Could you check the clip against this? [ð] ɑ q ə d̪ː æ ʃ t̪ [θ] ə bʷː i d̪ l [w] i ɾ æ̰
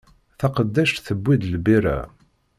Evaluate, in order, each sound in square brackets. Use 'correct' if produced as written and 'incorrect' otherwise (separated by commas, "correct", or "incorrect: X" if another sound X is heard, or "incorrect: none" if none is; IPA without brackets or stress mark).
incorrect: θ, correct, incorrect: b